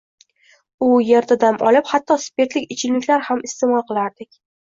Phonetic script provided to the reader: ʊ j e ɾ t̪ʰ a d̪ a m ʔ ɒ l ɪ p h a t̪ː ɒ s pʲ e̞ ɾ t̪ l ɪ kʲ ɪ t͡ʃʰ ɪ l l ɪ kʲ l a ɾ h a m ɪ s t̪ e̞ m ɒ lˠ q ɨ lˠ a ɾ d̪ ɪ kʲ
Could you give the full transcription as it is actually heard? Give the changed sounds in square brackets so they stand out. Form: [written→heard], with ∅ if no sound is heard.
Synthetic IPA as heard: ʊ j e ɾ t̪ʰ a d̪ a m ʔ ɒ l ɪ p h a t̪ː ɒ s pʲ e̞ ɾ t̪ l ɪ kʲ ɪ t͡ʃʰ ɪ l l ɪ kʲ l a ɾ h a m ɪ s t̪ e̞ m ɒ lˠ q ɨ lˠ a ɾ d̪ ɪ kʲ